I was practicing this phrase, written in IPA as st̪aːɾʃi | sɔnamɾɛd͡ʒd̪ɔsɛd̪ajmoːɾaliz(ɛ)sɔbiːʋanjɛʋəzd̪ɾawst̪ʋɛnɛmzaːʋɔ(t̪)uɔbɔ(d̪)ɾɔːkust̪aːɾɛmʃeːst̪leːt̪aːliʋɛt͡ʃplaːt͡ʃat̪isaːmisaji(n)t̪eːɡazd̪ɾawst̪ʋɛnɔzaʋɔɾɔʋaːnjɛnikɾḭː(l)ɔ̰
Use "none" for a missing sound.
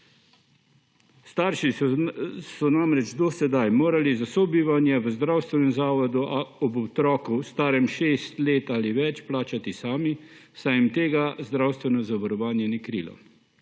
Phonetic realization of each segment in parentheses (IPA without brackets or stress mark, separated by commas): a, d̪, t̪, m, l